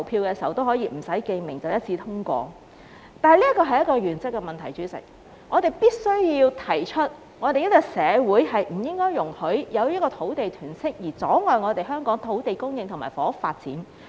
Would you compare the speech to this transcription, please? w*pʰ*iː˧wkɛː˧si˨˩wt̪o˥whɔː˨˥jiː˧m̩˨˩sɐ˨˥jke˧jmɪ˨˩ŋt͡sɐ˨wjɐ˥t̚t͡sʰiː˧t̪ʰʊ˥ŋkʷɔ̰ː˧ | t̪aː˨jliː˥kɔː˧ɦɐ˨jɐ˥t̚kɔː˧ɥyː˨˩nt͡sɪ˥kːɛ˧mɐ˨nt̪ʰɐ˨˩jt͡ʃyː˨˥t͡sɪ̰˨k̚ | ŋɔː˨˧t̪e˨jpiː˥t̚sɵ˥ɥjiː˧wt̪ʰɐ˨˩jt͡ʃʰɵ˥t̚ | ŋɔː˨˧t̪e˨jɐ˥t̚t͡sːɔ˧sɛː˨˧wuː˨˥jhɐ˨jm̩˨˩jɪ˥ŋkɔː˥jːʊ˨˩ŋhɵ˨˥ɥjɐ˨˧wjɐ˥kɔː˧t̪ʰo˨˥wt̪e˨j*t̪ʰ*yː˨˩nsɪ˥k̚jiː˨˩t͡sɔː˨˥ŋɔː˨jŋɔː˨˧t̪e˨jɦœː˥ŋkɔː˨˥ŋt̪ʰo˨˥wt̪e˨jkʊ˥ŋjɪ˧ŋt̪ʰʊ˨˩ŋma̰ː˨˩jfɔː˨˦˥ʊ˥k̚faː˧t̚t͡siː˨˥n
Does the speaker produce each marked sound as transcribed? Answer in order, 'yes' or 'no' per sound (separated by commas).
yes, yes